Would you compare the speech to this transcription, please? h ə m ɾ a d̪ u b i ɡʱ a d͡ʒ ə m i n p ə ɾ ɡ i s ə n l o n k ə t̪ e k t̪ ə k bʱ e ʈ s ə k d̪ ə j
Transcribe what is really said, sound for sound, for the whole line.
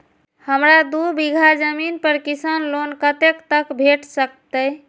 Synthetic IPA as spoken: h ə m ɾ a d̪ u b i ɡʱ a d͡ʒ ə m i n p ə ɾ k i s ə n l o n k ə t̪ e k t̪ ə k bʱ e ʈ s ə k t̪ ə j